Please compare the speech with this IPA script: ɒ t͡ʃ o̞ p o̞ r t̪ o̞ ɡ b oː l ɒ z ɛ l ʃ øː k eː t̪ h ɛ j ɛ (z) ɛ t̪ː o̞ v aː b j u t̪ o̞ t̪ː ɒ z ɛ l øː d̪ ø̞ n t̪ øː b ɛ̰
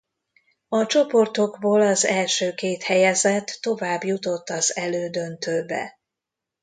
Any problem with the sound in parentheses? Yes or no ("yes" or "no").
no